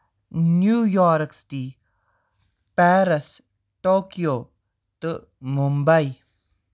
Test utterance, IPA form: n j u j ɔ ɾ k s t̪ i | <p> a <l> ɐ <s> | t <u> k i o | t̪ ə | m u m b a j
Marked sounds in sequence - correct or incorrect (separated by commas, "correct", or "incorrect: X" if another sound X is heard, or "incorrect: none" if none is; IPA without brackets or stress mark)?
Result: correct, incorrect: ɾ, correct, incorrect: o